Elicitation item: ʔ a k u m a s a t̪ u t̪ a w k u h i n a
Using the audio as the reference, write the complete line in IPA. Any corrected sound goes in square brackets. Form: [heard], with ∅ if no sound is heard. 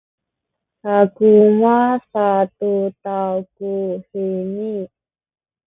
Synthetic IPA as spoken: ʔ a k u m a s a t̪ u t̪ a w k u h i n [i]